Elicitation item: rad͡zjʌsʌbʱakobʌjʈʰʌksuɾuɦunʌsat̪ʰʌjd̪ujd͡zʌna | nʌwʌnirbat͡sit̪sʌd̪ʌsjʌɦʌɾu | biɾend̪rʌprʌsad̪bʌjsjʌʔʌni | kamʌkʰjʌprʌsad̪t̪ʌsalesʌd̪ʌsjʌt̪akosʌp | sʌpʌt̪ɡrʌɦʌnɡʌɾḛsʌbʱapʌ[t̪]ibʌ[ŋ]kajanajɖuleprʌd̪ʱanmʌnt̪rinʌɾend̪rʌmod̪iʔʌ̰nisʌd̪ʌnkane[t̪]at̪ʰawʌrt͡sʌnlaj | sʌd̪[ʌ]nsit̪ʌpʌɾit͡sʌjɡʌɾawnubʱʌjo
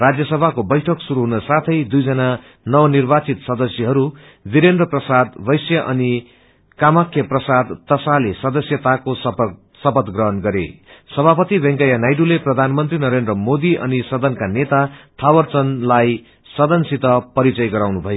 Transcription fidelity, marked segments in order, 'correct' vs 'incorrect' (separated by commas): correct, correct, correct, correct